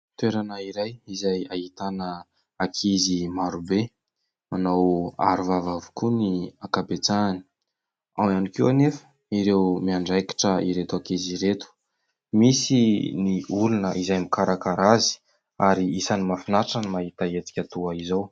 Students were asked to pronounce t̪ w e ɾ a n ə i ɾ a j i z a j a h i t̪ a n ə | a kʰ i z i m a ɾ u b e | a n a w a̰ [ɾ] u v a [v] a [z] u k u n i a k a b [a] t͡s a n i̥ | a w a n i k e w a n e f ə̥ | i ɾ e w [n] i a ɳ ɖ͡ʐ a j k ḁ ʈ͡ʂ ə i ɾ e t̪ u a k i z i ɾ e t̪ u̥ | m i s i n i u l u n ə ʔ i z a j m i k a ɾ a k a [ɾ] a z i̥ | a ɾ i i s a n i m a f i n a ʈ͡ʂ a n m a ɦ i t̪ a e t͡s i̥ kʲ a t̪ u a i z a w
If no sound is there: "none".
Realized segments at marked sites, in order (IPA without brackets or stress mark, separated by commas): ɾ, v, v, e, m, ɾ